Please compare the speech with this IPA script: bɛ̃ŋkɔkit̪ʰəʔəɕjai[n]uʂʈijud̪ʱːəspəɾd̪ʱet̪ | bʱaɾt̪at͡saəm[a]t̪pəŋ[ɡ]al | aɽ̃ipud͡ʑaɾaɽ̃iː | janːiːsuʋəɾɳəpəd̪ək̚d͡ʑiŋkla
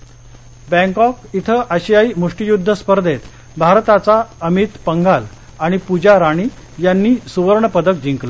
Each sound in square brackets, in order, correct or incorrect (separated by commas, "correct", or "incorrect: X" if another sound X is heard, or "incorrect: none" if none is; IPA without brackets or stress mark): incorrect: m, incorrect: i, correct